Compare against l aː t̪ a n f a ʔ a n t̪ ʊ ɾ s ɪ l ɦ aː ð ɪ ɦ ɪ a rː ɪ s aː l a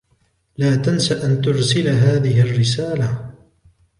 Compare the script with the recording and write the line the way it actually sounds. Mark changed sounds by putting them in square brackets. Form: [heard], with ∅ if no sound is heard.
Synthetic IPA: l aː t̪ a n [s] a ʔ a n t̪ ʊ ɾ s ɪ l ɦ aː ð ɪ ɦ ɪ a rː ɪ s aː l a

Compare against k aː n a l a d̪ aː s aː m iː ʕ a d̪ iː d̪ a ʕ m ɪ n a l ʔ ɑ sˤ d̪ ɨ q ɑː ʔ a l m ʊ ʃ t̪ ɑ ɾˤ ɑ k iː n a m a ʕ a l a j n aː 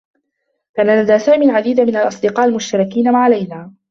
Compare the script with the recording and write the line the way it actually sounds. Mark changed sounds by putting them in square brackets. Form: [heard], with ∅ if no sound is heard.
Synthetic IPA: k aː n a l a d̪ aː s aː m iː ʕ a d̪ iː d̪ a [∅] m ɪ n a l ʔ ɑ sˤ d̪ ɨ q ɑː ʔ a l m ʊ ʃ t̪ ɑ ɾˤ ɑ k iː n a m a ʕ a l a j n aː

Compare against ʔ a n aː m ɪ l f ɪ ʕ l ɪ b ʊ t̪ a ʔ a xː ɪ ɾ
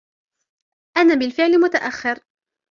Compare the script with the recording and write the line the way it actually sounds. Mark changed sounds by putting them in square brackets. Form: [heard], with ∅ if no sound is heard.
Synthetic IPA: ʔ a n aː [b] ɪ l f ɪ ʕ l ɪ [m] ʊ t̪ a ʔ a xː ɪ ɾ

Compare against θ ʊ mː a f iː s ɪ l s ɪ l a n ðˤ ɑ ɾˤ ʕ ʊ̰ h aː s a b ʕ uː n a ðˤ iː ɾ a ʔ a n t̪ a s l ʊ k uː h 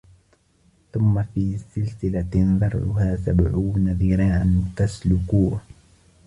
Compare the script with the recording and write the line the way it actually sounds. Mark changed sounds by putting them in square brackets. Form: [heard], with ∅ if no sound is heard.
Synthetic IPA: θ ʊ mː a f iː s ɪ l s ɪ l a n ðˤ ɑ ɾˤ ʕ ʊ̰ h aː s a b ʕ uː n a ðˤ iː ɾ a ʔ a n t̪ a s l ʊ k uː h

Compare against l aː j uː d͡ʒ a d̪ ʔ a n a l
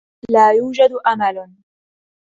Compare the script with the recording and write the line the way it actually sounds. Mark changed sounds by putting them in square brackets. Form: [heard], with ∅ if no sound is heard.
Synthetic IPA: l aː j uː d͡ʒ a d̪ ʔ a [m] a l

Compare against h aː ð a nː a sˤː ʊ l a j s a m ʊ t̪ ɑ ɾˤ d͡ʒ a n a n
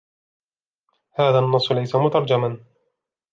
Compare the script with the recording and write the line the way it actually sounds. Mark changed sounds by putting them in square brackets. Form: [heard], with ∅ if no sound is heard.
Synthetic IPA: h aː ð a nː [ɑ] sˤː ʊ l a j s a m ʊ t̪ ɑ ɾˤ d͡ʒ a [m] a n

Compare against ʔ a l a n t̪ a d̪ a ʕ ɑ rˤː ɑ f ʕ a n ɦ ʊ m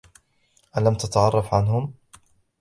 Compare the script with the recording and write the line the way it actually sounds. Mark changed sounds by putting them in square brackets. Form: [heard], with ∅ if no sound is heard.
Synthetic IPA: ʔ a l a [m] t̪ a [t̪] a ʕ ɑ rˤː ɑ f ʕ a n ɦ ʊ m

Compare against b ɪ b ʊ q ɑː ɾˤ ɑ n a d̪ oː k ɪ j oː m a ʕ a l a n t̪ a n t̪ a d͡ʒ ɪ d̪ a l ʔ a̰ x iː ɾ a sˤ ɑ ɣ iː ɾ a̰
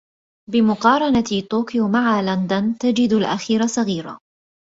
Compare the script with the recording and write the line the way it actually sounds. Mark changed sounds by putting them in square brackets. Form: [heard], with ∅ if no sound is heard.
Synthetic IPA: b ɪ [m] ʊ q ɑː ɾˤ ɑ n a [t̪] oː k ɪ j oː m a ʕ a l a n [d̪] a n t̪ a d͡ʒ ɪ d̪ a l ʔ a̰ x iː ɾ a sˤ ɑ ɣ iː ɾ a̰

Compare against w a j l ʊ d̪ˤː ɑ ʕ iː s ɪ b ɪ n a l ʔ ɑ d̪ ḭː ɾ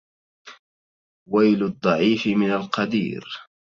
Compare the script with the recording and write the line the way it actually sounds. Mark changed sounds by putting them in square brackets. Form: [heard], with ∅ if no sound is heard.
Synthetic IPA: w a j l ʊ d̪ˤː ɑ ʕ iː [f] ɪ [m] ɪ n a l [q] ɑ d̪ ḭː ɾ

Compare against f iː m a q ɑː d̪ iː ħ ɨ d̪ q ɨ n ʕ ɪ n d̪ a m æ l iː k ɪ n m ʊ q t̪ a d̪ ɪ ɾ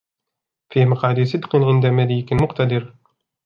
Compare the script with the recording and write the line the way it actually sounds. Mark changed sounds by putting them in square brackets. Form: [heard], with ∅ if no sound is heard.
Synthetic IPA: f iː m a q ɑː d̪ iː [s] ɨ d̪ q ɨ n ʕ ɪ n d̪ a m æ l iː k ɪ n m ʊ q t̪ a d̪ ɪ ɾ

